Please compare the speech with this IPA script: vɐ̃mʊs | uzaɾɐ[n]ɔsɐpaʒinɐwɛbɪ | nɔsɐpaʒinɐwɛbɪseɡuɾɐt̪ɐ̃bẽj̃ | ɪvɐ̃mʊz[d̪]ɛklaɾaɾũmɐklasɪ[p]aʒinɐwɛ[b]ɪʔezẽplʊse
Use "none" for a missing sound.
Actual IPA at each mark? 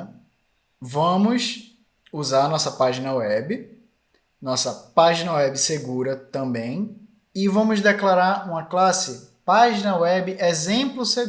n, d̪, p, b

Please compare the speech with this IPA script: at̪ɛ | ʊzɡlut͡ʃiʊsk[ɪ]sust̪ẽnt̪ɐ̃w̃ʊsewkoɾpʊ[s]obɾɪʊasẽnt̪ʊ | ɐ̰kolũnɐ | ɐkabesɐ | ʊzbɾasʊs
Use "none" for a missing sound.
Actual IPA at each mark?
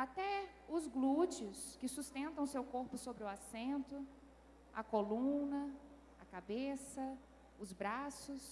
ɪ, s

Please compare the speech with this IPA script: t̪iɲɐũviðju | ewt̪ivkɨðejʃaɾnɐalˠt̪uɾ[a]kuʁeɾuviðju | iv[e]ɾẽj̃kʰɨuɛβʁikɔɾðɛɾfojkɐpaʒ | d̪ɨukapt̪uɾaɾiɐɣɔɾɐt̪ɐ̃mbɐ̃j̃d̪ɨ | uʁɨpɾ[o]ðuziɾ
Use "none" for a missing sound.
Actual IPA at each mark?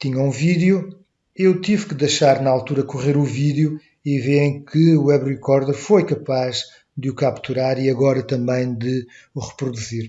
ɐ, e, u

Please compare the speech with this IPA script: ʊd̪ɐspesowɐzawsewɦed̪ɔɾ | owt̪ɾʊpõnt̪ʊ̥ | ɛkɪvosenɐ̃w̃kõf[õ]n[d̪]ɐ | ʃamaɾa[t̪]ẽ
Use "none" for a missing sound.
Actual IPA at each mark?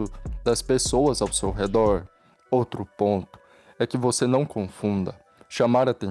ũ, d̪, t̪

